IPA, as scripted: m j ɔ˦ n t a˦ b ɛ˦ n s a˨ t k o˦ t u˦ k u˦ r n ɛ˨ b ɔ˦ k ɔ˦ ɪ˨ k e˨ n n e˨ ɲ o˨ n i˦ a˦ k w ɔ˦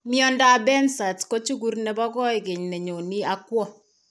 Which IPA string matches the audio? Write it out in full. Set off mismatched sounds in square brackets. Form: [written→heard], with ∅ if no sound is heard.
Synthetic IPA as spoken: m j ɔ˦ n [t→d] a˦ b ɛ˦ n s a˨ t k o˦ [t→t͡ʃ] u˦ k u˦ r n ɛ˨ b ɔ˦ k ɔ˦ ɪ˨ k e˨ [n→ɲ] n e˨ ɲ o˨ n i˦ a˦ k w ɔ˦